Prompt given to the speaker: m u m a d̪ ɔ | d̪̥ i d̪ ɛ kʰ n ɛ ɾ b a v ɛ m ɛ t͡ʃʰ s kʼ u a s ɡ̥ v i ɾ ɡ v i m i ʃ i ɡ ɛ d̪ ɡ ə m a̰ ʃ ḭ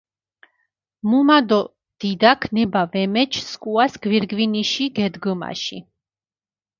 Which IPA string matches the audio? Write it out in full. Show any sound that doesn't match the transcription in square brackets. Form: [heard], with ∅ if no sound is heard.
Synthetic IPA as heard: m u m a d̪ ɔ | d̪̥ i d̪ [a] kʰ n ɛ [∅] b a v ɛ m ɛ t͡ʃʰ s kʼ u a s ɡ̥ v i ɾ ɡ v i [n] i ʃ i ɡ ɛ d̪ ɡ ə m a̰ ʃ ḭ